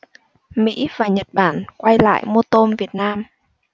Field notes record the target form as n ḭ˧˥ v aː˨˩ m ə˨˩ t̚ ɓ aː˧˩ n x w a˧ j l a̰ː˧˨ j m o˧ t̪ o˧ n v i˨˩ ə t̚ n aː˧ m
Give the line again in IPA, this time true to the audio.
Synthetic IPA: m ḭ˧˥ v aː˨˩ ɲ ə˨˩ t̚ ɓ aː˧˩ n k w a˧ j l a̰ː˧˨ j m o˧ t̪ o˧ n v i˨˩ ə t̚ n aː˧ m